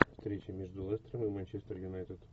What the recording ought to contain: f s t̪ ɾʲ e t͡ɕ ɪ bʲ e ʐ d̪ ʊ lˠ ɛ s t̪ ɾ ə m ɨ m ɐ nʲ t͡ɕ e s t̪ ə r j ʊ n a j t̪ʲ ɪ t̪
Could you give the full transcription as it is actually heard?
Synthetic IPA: f s t̪ ɾʲ e t͡ɕ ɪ mʲ e ʐ d̪ ʊ lˠ ɛ s t̪ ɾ ə m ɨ m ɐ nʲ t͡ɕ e s t̪ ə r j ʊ n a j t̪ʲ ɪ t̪